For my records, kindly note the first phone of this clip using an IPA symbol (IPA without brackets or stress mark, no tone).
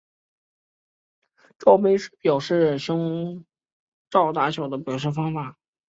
ʈ͡ʂ